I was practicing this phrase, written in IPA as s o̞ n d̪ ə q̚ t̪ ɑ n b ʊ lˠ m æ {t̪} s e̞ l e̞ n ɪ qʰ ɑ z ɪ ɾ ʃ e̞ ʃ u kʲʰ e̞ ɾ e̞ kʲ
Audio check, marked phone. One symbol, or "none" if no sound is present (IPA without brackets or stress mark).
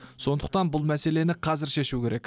none